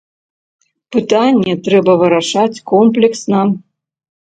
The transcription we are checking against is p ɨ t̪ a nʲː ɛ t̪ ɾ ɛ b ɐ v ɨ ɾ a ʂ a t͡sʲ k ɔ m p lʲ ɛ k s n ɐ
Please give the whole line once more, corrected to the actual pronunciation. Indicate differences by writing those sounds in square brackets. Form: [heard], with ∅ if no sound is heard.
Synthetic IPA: p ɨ t̪ a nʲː ɛ t̪ ɾ ɛ b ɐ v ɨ ɾ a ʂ a t͡sʲ k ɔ m p lʲ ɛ k s n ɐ